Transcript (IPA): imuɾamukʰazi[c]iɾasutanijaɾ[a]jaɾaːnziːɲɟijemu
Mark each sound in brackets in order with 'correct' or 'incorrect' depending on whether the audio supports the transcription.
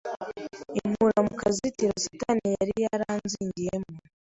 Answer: incorrect: t, incorrect: i

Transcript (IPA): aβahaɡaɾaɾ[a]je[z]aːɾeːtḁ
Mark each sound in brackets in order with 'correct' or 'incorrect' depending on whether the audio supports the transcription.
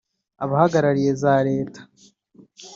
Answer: incorrect: i, correct

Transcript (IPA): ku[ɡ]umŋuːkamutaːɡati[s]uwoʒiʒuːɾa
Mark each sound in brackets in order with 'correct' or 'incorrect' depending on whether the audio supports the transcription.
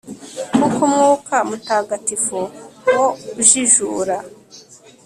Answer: incorrect: k, incorrect: f

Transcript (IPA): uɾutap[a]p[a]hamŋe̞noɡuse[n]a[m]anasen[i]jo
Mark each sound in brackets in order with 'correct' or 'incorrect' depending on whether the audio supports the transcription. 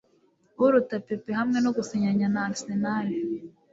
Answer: incorrect: e, incorrect: e, incorrect: ɲ, incorrect: ɲ, incorrect: a

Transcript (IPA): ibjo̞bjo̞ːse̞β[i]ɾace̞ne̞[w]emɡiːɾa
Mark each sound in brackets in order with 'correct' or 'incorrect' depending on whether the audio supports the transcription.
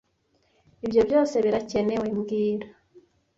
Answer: correct, correct

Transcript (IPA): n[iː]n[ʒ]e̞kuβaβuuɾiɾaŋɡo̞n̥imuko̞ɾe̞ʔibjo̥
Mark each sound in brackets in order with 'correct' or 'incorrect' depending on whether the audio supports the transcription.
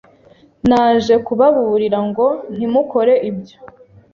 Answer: incorrect: aː, correct

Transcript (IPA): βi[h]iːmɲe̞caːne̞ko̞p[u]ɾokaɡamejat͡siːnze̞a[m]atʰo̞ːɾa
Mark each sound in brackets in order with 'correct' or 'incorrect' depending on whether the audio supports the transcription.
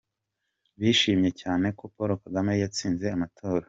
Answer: incorrect: ʃ, incorrect: o, correct

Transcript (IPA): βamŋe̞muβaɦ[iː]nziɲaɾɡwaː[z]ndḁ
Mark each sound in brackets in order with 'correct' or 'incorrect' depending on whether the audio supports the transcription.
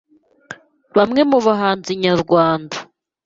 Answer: incorrect: aː, incorrect: none

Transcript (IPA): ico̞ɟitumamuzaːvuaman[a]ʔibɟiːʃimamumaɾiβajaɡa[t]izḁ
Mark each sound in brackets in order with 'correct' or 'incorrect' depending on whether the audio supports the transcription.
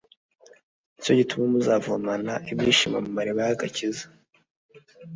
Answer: correct, incorrect: c

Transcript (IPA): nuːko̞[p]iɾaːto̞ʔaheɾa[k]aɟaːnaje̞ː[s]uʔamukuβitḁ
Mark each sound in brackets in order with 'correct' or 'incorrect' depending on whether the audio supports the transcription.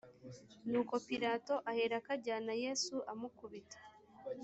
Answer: correct, correct, correct

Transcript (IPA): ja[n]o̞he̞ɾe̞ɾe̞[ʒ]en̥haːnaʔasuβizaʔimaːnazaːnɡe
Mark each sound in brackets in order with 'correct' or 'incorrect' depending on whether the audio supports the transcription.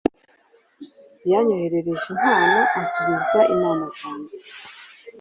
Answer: incorrect: ɲ, correct

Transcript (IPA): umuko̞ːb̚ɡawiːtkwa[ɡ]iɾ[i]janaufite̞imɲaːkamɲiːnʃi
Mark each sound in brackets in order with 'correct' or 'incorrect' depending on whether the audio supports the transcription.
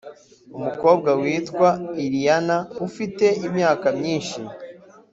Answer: incorrect: none, correct

